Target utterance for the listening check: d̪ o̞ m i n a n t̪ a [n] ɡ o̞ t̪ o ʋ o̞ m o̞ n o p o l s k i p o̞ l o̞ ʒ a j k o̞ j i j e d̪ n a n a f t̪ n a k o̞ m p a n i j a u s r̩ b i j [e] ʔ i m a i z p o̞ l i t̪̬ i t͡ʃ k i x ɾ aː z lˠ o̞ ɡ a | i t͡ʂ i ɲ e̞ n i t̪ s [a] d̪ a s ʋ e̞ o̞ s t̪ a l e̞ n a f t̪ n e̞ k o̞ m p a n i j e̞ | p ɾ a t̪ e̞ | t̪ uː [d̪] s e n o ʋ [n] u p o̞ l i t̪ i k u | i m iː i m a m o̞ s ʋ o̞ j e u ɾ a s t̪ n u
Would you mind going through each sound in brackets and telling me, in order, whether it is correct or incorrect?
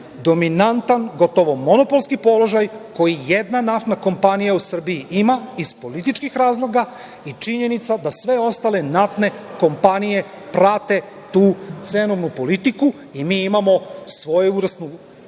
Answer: correct, incorrect: i, correct, incorrect: t̪, correct

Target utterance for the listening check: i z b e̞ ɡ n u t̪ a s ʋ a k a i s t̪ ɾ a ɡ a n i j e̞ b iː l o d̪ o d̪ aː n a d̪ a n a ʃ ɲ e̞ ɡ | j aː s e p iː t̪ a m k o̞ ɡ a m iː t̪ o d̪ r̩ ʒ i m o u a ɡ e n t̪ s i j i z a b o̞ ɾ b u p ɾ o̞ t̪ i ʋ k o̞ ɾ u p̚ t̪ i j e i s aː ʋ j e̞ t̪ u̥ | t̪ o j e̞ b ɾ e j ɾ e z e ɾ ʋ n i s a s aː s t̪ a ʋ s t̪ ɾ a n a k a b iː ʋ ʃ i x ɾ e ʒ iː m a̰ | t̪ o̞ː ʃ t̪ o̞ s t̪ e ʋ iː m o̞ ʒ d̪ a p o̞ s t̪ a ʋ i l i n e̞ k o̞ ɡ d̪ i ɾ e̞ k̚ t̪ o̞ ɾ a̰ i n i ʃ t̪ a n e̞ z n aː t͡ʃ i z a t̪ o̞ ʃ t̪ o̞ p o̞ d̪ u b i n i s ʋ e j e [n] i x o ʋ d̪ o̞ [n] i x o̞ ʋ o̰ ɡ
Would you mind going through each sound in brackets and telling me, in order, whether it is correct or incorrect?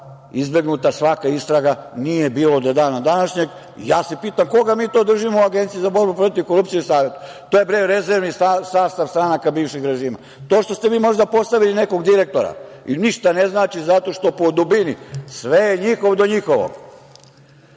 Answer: incorrect: ɲ, incorrect: ɲ

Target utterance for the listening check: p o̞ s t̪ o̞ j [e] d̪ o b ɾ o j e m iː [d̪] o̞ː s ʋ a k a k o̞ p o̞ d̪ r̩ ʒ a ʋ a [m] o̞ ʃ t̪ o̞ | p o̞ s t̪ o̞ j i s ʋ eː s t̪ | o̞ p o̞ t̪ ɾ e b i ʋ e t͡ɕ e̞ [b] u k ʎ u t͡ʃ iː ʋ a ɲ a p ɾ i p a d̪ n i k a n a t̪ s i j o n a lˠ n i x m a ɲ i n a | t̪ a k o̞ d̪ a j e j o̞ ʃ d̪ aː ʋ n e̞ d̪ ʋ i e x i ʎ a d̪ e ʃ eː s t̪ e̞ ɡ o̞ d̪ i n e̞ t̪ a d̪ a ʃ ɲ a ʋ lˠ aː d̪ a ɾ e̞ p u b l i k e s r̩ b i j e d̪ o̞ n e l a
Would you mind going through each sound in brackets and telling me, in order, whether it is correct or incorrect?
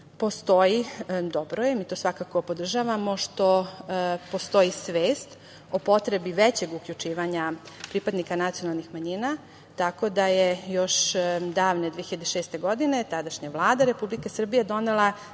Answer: incorrect: i, incorrect: t̪, correct, incorrect: ɡ

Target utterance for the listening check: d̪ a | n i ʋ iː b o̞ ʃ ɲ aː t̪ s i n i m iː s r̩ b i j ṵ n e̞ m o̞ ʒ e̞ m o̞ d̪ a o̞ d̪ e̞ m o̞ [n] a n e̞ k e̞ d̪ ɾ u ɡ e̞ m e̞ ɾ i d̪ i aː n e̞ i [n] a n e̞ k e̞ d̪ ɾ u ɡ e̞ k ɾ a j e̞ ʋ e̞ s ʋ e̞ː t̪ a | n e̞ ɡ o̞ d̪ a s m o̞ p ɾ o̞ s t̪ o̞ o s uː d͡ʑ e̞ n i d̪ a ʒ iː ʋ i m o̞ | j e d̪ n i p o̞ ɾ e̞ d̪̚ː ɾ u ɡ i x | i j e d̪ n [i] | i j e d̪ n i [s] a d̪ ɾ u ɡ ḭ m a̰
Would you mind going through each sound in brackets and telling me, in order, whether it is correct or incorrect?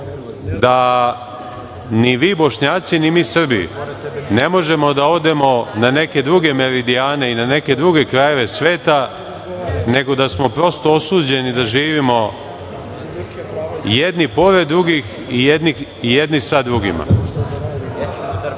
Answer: correct, correct, correct, correct

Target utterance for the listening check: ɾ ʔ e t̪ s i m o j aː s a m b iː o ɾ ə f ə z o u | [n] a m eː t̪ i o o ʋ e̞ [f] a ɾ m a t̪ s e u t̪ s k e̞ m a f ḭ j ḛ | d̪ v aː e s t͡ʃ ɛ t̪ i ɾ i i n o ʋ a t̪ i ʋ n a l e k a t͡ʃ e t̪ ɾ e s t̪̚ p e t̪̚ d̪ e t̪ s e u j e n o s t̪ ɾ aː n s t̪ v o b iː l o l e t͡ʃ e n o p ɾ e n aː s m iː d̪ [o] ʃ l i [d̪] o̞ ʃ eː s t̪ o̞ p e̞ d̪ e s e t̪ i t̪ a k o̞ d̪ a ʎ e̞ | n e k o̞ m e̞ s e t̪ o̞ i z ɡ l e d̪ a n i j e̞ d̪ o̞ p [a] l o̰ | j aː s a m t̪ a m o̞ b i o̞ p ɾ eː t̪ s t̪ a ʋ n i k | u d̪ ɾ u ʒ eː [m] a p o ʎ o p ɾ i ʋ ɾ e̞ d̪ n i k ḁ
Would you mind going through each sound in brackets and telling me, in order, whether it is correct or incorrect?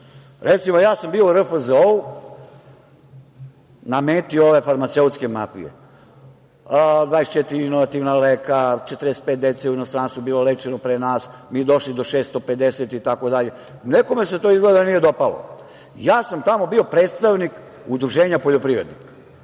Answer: correct, correct, correct, correct, correct, incorrect: ɲ

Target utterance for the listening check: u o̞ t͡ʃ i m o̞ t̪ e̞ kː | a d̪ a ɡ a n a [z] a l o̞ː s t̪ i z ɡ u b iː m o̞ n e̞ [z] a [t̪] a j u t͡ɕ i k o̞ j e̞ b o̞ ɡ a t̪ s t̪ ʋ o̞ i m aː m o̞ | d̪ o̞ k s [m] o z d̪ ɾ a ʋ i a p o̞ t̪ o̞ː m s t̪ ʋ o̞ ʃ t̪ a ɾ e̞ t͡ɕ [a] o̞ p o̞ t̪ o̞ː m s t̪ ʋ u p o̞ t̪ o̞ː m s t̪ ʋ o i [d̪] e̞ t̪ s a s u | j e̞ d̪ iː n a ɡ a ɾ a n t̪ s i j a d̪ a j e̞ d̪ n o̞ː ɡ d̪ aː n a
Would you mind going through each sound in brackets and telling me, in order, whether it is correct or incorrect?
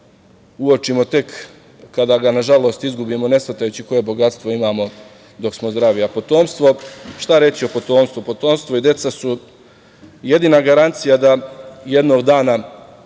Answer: incorrect: ʒ, incorrect: s, correct, correct, incorrect: i, correct

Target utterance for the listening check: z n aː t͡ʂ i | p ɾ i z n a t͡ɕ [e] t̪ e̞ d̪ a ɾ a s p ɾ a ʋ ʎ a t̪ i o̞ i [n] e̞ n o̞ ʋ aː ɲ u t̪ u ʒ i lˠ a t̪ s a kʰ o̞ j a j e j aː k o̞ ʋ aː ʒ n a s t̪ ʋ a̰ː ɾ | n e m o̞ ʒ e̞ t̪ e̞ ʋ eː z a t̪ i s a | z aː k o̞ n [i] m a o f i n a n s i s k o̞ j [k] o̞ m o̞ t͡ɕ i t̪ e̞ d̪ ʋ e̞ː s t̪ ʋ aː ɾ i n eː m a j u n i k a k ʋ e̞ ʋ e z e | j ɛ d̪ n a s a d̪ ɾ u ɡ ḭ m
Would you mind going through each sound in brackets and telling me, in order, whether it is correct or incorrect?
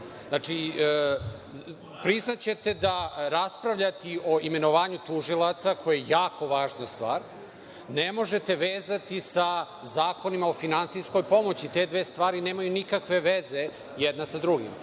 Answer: correct, incorrect: m, correct, incorrect: p

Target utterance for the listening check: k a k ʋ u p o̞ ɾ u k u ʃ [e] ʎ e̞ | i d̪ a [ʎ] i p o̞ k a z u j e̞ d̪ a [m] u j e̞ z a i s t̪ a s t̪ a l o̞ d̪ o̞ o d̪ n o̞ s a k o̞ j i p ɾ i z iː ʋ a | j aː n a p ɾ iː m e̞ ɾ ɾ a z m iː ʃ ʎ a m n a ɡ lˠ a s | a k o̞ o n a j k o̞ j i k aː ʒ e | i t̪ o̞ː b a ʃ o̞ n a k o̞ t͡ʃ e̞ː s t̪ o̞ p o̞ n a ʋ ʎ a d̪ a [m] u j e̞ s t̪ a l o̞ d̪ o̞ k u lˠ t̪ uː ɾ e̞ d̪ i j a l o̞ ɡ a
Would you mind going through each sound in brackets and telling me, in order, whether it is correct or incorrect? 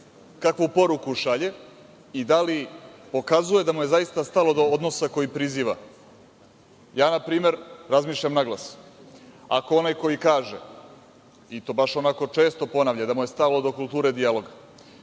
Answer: incorrect: a, incorrect: l, correct, correct

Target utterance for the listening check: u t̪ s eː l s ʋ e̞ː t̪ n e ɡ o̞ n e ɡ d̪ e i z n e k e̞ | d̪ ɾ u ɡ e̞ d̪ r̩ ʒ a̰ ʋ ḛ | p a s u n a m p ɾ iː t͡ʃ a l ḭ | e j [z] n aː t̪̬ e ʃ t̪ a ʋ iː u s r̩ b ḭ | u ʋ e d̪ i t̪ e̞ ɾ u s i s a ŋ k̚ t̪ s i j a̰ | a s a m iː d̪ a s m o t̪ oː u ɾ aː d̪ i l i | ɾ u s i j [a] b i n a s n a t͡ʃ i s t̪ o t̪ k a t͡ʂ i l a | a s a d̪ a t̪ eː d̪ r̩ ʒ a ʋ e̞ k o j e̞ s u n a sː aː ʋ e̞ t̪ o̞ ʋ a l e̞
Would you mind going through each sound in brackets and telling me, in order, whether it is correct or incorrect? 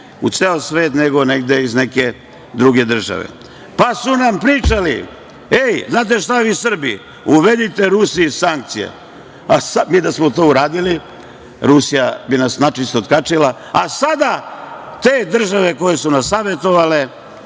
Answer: correct, correct

